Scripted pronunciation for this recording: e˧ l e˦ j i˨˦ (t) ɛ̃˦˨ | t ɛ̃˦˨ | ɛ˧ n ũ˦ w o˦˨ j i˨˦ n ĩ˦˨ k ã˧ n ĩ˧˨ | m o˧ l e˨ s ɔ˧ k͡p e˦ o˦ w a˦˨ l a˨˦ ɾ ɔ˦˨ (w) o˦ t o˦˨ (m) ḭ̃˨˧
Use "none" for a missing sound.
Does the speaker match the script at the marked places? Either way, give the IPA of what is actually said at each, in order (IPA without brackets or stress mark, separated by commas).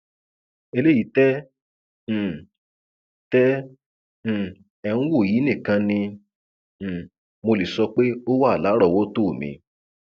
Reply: t, w, m